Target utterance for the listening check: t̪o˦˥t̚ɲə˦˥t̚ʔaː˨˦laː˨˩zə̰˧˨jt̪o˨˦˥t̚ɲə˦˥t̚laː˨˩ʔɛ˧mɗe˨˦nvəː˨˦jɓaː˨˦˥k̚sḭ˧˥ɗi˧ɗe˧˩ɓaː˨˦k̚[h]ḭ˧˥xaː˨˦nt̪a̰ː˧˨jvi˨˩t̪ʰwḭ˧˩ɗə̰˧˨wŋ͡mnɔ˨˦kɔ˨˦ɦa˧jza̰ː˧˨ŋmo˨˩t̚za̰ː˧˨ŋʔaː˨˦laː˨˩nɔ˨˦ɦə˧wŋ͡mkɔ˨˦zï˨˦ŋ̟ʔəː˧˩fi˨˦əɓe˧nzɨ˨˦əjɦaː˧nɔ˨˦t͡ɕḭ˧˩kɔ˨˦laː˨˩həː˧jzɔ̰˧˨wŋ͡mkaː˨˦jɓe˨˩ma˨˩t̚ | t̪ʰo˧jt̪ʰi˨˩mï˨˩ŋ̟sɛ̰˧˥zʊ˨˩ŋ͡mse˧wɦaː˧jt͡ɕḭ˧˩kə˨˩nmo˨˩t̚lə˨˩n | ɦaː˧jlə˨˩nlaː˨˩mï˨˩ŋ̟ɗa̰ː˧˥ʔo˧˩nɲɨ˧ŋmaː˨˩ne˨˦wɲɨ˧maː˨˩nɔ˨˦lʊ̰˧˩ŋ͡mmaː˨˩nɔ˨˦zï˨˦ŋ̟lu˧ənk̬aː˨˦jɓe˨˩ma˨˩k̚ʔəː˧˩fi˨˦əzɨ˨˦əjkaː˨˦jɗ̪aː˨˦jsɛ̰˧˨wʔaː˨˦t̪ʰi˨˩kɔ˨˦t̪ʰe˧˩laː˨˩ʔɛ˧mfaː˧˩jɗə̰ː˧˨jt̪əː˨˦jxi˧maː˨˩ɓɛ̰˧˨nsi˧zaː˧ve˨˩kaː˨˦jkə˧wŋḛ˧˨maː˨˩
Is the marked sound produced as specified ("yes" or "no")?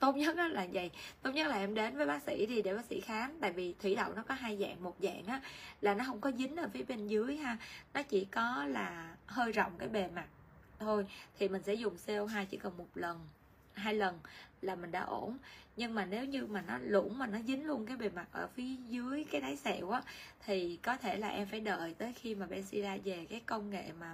no